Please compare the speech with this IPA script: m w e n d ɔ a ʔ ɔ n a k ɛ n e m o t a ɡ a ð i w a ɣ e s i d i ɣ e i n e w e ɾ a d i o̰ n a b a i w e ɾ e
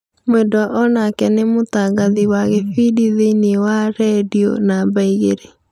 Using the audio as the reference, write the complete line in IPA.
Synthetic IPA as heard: m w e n d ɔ a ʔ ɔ n a k ɛ n e m o t a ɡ a ð i w a ɣ e f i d i ð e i n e w a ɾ ɛ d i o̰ n a b a i ɣ e ɾ e